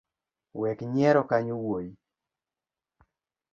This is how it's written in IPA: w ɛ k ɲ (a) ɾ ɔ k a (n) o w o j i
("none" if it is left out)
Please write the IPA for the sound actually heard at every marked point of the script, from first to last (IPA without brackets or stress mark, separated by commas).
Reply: ɛ, ɲ